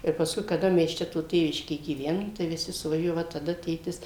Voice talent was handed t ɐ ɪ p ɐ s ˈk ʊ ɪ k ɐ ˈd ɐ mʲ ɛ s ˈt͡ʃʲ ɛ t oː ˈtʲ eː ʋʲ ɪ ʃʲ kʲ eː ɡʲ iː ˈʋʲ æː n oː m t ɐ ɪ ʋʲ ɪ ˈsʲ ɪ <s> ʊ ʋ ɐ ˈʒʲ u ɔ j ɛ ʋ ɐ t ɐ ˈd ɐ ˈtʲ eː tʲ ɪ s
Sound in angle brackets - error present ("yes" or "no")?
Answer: no